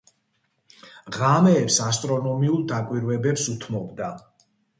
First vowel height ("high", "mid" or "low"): low